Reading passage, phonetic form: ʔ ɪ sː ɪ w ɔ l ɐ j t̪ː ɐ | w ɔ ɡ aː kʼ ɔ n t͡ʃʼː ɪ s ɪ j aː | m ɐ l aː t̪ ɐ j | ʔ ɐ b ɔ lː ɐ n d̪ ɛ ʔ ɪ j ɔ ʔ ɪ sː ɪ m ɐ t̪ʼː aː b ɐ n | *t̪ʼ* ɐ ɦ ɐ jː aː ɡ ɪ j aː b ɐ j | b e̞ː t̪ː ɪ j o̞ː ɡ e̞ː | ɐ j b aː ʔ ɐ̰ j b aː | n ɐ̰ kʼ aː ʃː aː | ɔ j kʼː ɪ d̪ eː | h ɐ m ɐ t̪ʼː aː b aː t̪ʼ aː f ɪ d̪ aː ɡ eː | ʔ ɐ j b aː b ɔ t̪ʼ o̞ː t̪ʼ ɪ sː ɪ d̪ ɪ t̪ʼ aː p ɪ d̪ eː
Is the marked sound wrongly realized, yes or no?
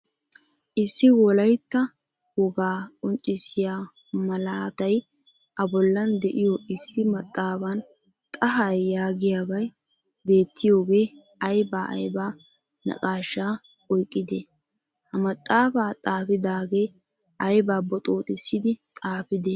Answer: no